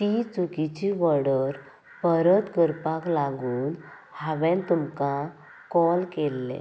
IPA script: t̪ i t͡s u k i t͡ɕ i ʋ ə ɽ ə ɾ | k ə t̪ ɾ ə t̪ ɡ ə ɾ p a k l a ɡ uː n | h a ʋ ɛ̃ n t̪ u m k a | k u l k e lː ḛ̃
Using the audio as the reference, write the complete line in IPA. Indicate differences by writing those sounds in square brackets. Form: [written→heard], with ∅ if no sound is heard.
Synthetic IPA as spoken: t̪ i t͡s u k i t͡ɕ i ʋ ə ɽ ə ɾ | [k→p] ə [t̪→∅] ɾ ə t̪ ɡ ə ɾ p a k l a ɡ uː n | h a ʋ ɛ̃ n t̪ u m k a | k [u→ɔ] l k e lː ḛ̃